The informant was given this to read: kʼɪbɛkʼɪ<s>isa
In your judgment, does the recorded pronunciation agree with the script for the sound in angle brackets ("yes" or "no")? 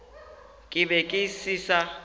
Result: yes